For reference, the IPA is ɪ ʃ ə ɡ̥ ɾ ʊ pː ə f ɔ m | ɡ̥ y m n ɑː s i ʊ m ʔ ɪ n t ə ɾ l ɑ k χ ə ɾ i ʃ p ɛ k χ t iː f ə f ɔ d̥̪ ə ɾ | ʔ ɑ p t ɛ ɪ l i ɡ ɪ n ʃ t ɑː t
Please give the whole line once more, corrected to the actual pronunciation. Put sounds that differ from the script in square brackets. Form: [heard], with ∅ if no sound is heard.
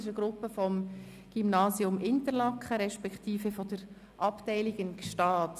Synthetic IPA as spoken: ɪ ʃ ə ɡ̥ ɾ ʊ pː ə f ɔ m | ɡ̥ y m n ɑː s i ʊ m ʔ ɪ n t ə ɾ l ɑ k χ ə ɾ [ɛ] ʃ p ɛ k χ t iː f ə f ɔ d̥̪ ə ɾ | ʔ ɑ p t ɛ ɪ l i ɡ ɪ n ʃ t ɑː t